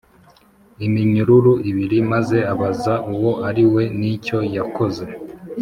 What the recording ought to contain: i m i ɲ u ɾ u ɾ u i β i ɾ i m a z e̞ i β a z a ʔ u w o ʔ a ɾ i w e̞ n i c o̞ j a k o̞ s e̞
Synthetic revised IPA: i m i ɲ u ɾ u ɾ u i β i ɾ i m a z e̞ a β a z a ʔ u w o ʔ a ɾ i w e̞ n i c o̞ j a k o̞ z e̞